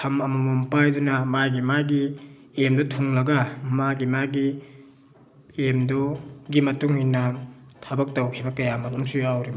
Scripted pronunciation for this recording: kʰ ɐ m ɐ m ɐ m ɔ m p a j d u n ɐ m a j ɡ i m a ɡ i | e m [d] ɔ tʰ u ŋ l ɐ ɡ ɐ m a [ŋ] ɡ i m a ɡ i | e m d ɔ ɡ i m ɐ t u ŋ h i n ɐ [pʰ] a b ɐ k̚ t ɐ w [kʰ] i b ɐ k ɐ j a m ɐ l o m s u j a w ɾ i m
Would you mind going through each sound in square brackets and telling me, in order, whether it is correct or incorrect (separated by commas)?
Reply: correct, incorrect, incorrect, correct